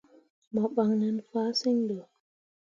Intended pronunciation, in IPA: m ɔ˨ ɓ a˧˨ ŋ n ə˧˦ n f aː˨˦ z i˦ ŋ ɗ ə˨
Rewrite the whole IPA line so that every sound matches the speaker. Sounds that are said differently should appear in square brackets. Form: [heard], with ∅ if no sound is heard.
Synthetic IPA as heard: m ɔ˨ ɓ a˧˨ ŋ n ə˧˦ n f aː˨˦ [s] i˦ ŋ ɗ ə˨